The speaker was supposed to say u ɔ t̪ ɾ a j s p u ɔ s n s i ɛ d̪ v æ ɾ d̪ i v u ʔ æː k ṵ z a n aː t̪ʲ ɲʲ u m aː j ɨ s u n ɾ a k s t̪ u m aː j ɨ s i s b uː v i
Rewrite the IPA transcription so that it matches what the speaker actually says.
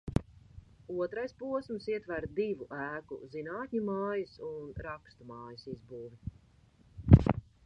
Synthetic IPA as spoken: u ɔ t̪ ɾ a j s p u ɔ s m s i ɛ t̪ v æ ɾ d̪ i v u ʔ æː k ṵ z i n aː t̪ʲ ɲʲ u m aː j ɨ s u n ɾ a k s t̪ u m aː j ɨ s i z b uː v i